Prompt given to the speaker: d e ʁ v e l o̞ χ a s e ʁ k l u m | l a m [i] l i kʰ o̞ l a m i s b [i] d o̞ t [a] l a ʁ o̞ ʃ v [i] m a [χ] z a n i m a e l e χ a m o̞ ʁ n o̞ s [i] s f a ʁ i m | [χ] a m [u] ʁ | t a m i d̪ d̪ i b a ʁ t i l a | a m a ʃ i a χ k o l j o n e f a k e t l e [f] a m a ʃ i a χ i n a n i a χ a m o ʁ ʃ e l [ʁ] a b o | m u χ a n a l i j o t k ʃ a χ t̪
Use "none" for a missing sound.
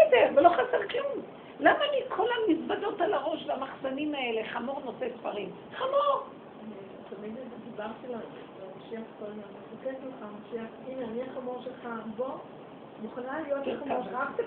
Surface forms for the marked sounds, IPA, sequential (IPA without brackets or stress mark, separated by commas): a, a, a, a, χ, e, χ, o, χ, χ